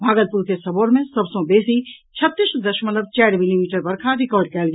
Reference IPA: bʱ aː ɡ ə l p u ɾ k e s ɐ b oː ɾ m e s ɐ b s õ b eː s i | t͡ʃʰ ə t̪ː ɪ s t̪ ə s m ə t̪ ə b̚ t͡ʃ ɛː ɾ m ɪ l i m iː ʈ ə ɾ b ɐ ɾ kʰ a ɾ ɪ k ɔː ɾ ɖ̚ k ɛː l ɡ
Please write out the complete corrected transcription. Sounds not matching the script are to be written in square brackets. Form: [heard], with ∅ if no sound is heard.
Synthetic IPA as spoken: bʱ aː ɡ ə l p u ɾ k e s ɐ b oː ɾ m [ẽ] s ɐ b s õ b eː s i | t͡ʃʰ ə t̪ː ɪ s [d̪] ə [ʃ] m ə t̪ ə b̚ t͡ʃ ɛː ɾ m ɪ l i m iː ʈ ə ɾ b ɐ ɾ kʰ a ɾ ɪ k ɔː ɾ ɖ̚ k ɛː l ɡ